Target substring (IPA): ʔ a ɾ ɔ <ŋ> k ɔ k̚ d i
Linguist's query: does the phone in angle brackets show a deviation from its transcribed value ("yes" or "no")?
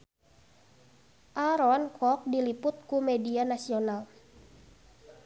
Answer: yes